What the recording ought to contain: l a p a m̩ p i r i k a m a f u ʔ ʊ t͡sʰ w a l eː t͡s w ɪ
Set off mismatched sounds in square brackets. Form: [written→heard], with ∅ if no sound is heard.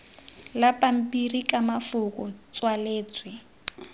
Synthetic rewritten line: l a p a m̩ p i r i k a m a f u [ʔ→k] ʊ [t͡sʰ→t͡s] w a l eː t͡s w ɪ